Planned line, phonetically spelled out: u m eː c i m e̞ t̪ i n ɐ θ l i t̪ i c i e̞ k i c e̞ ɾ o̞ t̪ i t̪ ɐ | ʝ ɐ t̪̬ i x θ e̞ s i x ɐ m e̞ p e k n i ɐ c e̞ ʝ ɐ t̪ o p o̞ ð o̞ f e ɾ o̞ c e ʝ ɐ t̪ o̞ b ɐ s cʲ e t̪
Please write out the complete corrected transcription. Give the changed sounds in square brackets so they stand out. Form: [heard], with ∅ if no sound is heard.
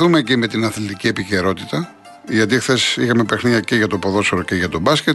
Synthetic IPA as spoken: u m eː c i m e̞ t̪ i n ɐ θ l i t̪ i c i e̞ [p] i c e̞ ɾ o̞ t̪ i t̪ ɐ | ʝ ɐ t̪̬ i x θ e̞ s i x ɐ m e̞ p e [x] n i ɐ c e̞ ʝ ɐ t̪ o p o̞ ð o̞ [s] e ɾ o̞ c e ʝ ɐ t̪ o̞ b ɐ s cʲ e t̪